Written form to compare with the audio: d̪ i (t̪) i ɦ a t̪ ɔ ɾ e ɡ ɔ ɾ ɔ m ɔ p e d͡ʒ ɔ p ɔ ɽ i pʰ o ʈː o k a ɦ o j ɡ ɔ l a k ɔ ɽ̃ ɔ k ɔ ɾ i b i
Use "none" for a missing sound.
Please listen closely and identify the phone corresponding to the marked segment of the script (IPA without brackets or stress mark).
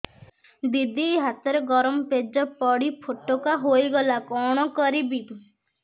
d̪